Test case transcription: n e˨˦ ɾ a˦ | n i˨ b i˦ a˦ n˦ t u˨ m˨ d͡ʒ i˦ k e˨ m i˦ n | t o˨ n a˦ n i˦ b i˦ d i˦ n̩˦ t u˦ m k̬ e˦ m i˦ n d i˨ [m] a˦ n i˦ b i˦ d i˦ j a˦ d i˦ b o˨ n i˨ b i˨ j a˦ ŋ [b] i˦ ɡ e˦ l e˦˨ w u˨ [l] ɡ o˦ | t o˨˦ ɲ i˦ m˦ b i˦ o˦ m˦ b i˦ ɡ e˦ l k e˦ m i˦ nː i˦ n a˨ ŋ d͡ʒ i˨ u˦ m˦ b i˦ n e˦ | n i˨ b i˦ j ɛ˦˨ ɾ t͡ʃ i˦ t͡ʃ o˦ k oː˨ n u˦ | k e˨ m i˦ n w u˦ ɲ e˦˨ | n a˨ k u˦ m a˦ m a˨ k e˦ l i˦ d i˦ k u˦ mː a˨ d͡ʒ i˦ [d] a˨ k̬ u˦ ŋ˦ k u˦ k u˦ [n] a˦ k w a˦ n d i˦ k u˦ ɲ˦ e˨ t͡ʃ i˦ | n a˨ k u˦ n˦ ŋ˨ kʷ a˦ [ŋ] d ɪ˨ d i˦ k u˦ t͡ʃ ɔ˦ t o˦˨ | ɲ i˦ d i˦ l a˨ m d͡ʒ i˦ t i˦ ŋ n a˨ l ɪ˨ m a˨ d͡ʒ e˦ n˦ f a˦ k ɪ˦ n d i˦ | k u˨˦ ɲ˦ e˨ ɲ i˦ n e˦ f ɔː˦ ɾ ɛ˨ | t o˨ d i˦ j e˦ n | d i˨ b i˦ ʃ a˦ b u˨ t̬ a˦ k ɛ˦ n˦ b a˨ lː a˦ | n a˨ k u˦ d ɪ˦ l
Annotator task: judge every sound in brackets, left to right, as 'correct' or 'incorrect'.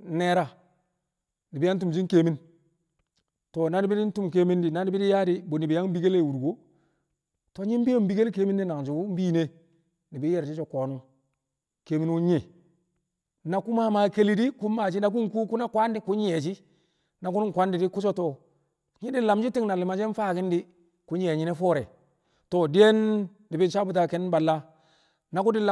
incorrect, correct, incorrect, incorrect, correct, incorrect

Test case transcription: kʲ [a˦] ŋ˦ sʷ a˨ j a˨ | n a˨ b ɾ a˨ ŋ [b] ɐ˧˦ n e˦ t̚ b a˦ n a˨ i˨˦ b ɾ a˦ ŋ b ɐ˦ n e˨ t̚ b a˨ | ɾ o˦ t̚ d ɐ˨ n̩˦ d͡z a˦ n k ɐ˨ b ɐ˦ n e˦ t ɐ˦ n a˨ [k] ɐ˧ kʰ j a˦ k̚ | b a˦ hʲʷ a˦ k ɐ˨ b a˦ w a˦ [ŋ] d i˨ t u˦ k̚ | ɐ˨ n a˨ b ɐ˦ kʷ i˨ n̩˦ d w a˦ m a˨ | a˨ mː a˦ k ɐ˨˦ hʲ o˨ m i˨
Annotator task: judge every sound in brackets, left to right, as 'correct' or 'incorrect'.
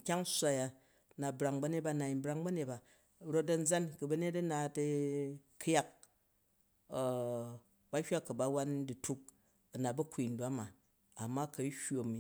correct, correct, incorrect, incorrect

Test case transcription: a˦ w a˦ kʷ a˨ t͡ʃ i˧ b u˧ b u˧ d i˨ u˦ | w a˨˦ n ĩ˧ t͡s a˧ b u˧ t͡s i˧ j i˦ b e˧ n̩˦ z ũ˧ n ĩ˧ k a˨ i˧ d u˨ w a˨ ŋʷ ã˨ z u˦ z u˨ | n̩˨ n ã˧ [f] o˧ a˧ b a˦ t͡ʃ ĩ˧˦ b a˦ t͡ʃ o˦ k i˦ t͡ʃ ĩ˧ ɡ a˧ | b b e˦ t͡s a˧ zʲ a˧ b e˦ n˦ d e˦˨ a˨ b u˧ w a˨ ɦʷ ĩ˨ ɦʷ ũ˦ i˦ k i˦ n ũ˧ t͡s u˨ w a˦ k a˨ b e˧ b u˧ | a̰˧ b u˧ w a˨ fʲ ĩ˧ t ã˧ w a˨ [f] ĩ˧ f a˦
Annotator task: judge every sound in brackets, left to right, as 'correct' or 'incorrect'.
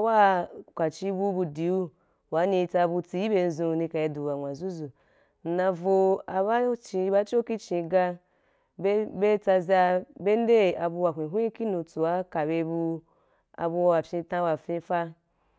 incorrect, correct

